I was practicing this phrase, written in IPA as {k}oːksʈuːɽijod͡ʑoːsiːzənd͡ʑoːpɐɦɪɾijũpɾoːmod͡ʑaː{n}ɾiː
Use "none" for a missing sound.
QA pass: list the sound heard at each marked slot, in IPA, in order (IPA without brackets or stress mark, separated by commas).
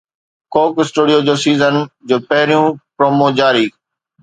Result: k, none